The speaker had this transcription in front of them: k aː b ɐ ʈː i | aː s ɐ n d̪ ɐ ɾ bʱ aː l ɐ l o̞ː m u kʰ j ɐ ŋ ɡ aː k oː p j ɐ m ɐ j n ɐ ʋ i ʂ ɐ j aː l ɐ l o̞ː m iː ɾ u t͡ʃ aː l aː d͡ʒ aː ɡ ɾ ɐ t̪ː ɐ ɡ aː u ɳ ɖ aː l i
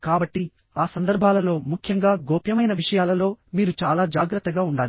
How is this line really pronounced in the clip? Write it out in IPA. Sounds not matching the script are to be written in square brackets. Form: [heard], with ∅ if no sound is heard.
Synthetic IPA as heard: k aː b ɐ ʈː i | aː s ɐ n d̪ ɐ ɾ bʱ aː l ɐ l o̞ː m u kʰ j ɐ ŋ ɡ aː [ɡ] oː p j ɐ m ɐ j n ɐ ʋ i ʂ ɐ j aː l ɐ l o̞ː m iː ɾ u t͡ʃ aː l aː d͡ʒ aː ɡ ɾ ɐ t̪ː ɐ ɡ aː u ɳ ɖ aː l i

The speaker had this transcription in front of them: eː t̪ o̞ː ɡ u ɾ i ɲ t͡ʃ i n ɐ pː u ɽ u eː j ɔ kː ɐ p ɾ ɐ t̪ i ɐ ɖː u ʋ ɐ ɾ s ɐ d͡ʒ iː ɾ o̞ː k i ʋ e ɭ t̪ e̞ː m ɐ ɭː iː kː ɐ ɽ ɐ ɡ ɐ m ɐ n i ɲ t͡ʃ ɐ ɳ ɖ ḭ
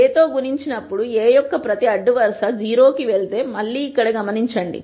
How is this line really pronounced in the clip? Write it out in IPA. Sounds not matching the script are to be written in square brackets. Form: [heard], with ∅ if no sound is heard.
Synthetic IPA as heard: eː t̪ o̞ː ɡ u ɾ i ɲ t͡ʃ i n ɐ pː u ɽ u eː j ɔ kː ɐ p ɾ ɐ t̪ i ɐ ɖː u ʋ ɐ ɾ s ɐ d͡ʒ iː ɾ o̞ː k i ʋ e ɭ t̪ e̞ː m ɐ ɭː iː kː ɐ ɽ ɐ ɡ ɐ m ɐ n i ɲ t͡ʃ ɐ ɳ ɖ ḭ

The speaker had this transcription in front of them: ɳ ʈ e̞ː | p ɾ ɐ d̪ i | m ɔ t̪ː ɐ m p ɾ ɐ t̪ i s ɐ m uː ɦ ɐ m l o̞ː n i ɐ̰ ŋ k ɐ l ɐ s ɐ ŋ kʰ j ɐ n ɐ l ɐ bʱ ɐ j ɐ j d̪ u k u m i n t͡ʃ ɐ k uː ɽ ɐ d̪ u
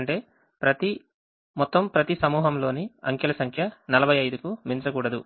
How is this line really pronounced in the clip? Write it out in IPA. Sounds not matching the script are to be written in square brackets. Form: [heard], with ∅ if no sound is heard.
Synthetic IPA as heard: ɳ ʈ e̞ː | p ɾ ɐ [t̪] i | m ɔ t̪ː ɐ m p ɾ ɐ t̪ i s ɐ m uː ɦ ɐ m l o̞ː n i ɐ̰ ŋ k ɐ l ɐ s ɐ ŋ kʰ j ɐ n ɐ l ɐ bʱ ɐ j ɐ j d̪ u k u m i n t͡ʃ ɐ k uː ɽ ɐ d̪ u

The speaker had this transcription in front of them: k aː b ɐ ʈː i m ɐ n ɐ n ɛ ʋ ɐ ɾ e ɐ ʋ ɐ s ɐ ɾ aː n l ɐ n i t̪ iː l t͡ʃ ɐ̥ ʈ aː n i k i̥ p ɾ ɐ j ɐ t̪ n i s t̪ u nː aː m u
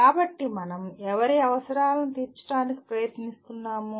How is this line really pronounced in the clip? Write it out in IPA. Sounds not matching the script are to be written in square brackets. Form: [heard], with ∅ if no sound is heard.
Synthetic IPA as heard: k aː b ɐ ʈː i m ɐ n ɐ [m] ɛ ʋ ɐ ɾ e ɐ ʋ ɐ s ɐ ɾ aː [∅] l ɐ n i t̪ iː [ɾ] t͡ʃ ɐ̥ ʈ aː n i k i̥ p ɾ ɐ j ɐ t̪ n i s t̪ u nː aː m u

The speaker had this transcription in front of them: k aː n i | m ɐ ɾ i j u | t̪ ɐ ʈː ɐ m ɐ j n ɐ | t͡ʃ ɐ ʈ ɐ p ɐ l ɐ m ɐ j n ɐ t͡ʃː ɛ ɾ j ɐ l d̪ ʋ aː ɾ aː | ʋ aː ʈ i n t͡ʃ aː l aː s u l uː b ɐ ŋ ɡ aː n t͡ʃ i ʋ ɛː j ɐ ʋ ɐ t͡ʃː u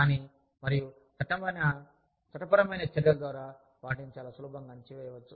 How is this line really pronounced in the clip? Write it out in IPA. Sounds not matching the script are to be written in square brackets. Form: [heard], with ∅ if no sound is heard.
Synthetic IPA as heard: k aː n i | m ɐ ɾ i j u | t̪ ɐ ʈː ɐ m ɐ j n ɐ | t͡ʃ ɐ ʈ ɐ p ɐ [ɾ] ɐ m ɐ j n ɐ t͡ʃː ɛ ɾ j ɐ l d̪ ʋ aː ɾ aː | ʋ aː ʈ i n t͡ʃ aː l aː s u l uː b ɐ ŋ ɡ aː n t͡ʃ i ʋ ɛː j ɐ ʋ ɐ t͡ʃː u

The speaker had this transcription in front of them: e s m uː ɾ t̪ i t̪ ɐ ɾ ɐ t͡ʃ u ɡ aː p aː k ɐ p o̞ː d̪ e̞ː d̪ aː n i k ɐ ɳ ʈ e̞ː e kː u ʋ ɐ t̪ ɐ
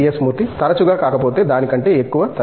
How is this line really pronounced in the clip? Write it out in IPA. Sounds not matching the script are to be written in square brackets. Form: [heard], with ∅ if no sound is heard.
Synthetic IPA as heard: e s m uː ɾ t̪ i t̪ ɐ ɾ ɐ t͡ʃ u ɡ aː [k] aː k ɐ p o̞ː [t̪] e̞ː d̪ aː n i k ɐ ɳ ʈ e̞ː e kː u ʋ ɐ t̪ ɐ

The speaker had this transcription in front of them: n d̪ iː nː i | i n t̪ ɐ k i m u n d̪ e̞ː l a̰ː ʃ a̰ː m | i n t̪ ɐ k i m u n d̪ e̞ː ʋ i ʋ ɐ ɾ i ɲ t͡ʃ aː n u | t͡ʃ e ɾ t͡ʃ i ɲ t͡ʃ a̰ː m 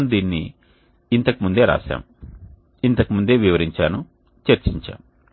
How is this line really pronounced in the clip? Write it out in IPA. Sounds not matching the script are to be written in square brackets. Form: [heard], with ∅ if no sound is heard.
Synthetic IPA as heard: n d̪ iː nː i | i n t̪ ɐ k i m u n d̪ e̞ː [ɾ] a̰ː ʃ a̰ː m | i n t̪ ɐ k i m u n d̪ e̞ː ʋ i ʋ ɐ ɾ i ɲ t͡ʃ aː n u | t͡ʃ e ɾ t͡ʃ i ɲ t͡ʃ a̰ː m

